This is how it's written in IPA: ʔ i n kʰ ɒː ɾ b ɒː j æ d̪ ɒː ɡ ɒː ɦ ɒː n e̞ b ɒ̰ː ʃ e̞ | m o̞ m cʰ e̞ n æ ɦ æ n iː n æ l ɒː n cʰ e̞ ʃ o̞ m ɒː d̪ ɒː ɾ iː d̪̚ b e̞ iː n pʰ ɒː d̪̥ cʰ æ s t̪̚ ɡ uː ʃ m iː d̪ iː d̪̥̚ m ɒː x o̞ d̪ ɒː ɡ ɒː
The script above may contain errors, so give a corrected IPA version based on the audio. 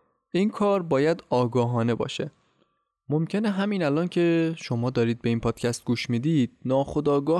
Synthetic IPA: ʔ i n kʰ ɒː ɾ b ɒː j æ d̪ ɒː ɡ ɒː ɦ ɒː n e̞ b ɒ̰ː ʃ e̞ | m o̞ m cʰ e̞ n e ɦ æ m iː n æ l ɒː n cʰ e̞ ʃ o̞ m ɒː d̪ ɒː ɾ iː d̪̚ b e̞ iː n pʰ ɒː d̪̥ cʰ æ s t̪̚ ɡ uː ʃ m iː d̪ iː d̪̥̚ n ɒː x o̞ d̪ ɒː ɡ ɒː